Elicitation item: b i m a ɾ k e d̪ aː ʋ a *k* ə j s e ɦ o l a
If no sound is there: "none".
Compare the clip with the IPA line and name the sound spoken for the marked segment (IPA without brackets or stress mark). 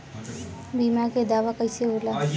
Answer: k